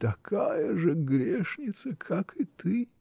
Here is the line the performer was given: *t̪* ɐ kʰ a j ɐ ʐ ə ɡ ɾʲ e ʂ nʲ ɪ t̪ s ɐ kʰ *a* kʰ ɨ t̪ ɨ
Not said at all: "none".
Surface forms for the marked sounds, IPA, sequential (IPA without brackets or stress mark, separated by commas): t̪, a